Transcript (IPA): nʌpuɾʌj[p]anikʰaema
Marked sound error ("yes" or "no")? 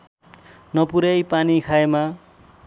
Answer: no